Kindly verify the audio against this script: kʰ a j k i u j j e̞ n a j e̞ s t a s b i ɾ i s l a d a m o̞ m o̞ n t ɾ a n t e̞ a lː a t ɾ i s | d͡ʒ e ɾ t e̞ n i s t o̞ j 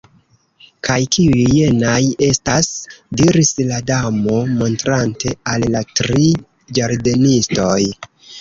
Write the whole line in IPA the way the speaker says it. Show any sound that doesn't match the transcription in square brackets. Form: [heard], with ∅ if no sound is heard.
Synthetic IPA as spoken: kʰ a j k i u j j e̞ n a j e̞ s t a s [d] i ɾ i s l a d a m o̞ m o̞ n t ɾ a n t e̞ a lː a t ɾ i [∅] | d͡ʒ [a] ɾ [d] e̞ n i s t o̞ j